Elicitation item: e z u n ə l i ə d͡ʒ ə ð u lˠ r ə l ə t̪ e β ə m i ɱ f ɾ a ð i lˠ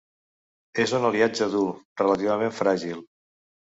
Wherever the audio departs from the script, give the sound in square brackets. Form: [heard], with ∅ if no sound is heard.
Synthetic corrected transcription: e z u n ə l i [a] d͡ʒ ə ð u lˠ r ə l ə t̪ [i] β ə m [e] ɱ f ɾ a [ʒ] i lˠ